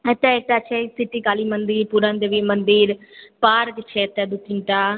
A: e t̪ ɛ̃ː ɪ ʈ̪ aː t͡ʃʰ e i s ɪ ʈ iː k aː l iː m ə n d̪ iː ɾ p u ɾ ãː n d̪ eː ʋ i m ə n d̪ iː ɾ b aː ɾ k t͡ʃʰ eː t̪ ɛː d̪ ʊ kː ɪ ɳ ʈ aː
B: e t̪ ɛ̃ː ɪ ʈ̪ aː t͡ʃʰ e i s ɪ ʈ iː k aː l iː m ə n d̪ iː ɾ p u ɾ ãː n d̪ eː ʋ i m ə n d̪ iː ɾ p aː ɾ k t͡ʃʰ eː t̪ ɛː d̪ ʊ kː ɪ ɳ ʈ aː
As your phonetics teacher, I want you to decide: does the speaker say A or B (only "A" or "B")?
B